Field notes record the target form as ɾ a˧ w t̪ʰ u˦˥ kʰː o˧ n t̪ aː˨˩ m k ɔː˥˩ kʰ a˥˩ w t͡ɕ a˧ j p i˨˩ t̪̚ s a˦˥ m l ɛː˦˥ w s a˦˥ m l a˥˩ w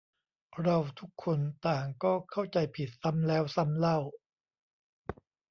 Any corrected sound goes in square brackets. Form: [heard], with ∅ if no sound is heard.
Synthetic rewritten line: ɾ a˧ w t̪ʰ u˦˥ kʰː o˧ n t̪ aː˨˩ [ŋ] k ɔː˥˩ kʰ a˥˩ w t͡ɕ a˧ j [pʰ] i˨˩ t̪̚ s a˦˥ m l ɛː˦˥ w s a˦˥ m l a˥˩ w

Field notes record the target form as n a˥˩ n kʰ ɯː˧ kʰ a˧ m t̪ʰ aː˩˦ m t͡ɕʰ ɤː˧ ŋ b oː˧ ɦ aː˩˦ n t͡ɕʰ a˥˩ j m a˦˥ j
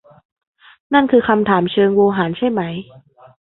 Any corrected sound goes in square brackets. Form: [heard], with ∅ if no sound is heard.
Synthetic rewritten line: n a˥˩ n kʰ ɯː˧ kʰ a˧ m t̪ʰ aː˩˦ m t͡ɕʰ ɤː˧ ŋ [w] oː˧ ɦ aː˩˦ n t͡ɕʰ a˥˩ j m a˦˥ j

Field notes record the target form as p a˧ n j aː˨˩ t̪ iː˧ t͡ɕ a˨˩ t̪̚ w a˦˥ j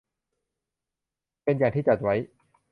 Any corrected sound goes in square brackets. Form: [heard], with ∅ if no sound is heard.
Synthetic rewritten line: p [e˧] n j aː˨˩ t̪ [iː˥˩] t͡ɕ a˨˩ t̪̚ w a˦˥ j

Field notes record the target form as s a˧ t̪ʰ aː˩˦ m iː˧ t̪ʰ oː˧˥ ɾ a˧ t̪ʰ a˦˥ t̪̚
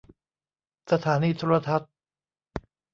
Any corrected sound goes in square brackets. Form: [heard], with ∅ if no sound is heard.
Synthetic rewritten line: s a˧ t̪ʰ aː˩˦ [n] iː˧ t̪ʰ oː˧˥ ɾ a˧ t̪ʰ a˦˥ t̪̚

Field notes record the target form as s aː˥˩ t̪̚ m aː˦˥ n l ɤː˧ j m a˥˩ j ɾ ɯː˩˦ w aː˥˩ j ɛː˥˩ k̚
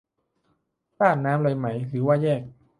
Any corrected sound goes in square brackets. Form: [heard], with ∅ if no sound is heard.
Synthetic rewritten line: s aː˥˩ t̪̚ [n] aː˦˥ [m] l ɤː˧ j m [a˦˥] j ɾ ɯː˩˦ w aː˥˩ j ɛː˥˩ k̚

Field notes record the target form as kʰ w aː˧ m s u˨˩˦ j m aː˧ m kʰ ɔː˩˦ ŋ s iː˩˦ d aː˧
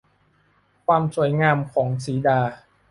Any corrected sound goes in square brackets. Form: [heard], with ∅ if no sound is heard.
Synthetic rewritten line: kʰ w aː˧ m s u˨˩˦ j [ŋ] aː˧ m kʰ ɔː˩˦ ŋ s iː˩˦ d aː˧

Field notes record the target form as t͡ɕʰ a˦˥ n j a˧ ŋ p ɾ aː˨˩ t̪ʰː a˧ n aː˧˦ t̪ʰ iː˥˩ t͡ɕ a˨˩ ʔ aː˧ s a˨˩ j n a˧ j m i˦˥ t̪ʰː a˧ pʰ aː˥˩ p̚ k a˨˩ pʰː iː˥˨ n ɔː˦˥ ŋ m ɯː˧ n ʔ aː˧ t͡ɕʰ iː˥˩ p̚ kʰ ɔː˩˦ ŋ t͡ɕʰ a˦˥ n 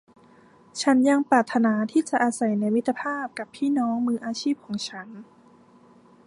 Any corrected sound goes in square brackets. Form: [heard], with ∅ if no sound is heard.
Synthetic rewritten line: t͡ɕʰ a˦˥ n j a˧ ŋ p ɾ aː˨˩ t̪ʰː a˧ n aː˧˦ t̪ʰ iː˥˩ t͡ɕ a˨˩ ʔ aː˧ s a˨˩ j n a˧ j m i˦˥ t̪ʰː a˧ pʰ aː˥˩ p̚ k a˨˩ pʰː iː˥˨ n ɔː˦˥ ŋ m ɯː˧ [∅] ʔ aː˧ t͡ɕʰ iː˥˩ p̚ kʰ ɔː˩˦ ŋ t͡ɕʰ a˦˥ n

